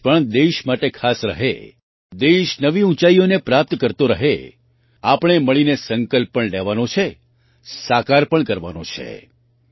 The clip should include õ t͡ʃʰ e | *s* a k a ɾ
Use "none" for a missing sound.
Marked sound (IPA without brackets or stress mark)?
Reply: s